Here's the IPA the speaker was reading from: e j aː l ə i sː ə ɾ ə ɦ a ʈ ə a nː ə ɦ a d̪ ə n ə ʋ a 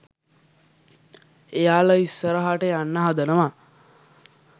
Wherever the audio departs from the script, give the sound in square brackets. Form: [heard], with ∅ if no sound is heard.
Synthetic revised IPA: e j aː l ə i sː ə ɾ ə ɦ a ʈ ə a nː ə ɦ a d̪ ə n ə ʋ a

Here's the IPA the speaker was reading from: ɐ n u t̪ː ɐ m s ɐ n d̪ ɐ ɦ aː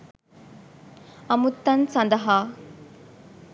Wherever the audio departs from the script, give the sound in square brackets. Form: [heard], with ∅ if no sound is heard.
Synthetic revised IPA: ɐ [m] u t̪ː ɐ [n] s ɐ n d̪ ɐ ɦ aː

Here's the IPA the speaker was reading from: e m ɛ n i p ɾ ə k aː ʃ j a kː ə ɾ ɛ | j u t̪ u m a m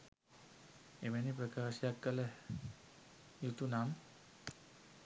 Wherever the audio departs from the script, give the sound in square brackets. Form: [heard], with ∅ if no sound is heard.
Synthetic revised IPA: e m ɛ n i p ɾ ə k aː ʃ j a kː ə [l] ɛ | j u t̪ u [n] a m

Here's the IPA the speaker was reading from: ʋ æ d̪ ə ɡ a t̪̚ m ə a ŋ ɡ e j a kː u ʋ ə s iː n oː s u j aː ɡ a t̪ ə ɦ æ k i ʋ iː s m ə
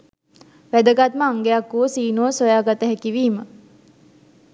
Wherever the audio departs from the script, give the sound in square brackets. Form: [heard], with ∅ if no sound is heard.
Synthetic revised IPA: ʋ æ d̪ ə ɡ a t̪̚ m ə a ŋ ɡ e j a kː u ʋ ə s iː n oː s [o] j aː ɡ a t̪ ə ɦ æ k i ʋ iː [∅] m ə

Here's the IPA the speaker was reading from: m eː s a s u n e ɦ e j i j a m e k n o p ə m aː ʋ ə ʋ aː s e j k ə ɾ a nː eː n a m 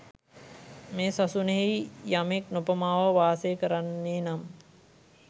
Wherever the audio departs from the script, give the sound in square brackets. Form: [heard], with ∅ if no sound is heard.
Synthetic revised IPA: m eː s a s u n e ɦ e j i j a m e k n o p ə m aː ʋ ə ʋ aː s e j k ə ɾ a nː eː n a m

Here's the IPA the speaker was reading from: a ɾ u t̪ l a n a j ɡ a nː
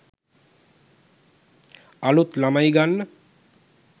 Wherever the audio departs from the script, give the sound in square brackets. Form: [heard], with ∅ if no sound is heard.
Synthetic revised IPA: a [l] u t̪ l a [m] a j ɡ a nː

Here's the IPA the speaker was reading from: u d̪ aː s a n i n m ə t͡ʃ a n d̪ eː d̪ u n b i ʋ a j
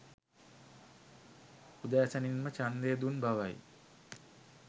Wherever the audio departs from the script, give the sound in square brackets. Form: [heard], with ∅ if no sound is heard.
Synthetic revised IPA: u d̪ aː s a n i n m ə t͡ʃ a n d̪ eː d̪ u n b [a] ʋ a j

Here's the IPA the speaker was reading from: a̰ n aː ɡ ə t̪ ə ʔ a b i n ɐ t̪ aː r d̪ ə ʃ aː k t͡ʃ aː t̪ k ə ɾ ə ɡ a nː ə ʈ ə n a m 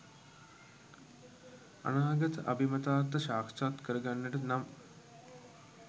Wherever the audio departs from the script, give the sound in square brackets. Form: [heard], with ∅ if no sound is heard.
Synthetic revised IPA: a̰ n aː ɡ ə t̪ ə ʔ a b i [m] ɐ t̪ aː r [t̪] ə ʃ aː k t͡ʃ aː t̪ k ə ɾ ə ɡ a nː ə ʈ ə n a m

